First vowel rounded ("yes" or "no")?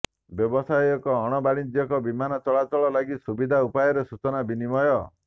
yes